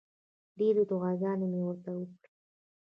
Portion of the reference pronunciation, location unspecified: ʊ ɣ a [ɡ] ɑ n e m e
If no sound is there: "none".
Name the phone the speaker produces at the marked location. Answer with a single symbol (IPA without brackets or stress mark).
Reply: ɡ